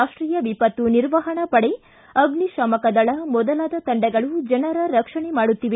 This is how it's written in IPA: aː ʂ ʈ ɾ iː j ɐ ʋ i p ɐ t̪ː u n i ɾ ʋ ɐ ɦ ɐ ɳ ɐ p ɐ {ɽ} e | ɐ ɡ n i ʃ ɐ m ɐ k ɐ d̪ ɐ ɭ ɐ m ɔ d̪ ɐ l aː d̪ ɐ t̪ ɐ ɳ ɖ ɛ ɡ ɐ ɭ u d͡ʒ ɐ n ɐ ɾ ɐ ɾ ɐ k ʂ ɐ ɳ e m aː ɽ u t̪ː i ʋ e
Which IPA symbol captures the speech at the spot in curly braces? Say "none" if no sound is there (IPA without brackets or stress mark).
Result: ɽ